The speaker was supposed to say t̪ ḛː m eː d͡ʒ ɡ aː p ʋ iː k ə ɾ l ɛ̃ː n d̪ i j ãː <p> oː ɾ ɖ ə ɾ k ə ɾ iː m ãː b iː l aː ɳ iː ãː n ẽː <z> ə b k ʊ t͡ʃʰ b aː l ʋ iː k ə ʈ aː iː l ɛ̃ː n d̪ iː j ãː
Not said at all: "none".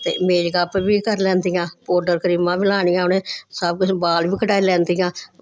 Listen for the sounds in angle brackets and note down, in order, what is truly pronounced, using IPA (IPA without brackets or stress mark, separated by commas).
p, s